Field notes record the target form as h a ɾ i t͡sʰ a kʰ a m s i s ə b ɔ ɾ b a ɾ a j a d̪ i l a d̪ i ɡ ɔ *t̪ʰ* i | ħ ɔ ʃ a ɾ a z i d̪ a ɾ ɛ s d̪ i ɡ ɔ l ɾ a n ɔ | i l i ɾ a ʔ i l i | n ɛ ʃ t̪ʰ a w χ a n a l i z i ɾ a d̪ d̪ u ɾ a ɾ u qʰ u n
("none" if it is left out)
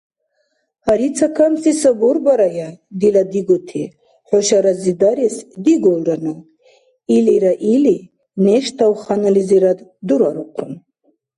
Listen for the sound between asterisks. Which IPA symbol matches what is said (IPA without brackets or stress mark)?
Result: t̪ʰ